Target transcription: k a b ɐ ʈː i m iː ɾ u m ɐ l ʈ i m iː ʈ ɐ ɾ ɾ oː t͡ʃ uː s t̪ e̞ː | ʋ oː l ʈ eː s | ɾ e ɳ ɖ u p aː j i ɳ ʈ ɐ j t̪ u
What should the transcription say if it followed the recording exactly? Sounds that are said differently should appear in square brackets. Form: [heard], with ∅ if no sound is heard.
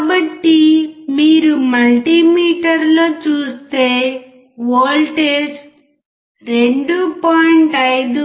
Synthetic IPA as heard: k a b ɐ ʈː i m iː ɾ u m ɐ l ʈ i m iː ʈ ɐ ɾ [l] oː t͡ʃ uː s t̪ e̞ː | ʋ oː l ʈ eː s | ɾ e ɳ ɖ u p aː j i ɳ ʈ ɐ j [d̪] u